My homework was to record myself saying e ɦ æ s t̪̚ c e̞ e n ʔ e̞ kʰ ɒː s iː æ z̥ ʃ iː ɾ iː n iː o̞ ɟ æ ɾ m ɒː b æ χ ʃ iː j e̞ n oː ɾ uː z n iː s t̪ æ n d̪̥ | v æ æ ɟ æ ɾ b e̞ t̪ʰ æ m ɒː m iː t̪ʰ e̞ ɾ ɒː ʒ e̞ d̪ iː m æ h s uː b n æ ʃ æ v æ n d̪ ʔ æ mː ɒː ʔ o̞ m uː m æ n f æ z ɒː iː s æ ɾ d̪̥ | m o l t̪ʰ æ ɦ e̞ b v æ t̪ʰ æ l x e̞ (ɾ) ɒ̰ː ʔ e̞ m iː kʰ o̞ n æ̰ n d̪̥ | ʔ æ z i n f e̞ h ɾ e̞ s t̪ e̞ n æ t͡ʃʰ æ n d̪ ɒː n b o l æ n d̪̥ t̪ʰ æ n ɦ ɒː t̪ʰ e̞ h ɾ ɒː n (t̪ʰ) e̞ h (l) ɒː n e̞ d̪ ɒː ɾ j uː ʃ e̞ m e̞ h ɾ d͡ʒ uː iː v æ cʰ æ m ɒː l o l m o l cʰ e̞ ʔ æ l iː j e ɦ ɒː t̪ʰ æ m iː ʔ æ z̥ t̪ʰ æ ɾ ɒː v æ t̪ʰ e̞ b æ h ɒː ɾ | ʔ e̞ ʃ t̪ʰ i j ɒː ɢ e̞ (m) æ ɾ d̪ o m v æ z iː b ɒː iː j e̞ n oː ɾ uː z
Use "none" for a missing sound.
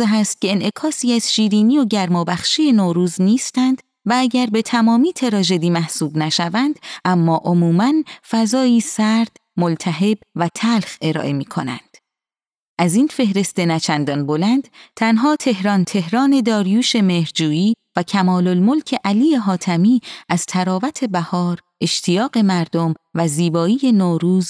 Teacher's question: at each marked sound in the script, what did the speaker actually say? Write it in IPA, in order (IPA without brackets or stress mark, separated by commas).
ɾ, t̪ʰ, ɾ, m